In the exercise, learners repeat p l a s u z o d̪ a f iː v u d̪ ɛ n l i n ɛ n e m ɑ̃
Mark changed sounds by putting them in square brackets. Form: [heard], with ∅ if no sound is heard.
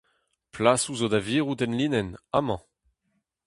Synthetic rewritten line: p l a s u z o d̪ a [v] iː [ʁ] u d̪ ɛ n l i n ɛ n [a] m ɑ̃